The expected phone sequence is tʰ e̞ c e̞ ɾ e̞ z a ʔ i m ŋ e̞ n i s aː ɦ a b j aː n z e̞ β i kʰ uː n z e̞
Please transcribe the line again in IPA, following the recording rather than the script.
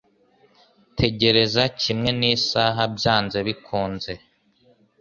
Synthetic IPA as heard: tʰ e̞ ɟ e̞ ɾ e̞ z a c i m ŋ e̞ n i s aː ɦ a b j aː n z e̞ β i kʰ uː n z e̞